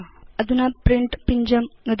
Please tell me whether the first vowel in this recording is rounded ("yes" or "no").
no